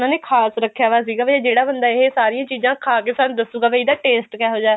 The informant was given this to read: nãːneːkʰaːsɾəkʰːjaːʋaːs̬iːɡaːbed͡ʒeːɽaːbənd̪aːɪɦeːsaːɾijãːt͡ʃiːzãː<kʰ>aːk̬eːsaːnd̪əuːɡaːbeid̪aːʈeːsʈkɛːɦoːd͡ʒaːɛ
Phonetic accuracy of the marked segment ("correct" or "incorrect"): correct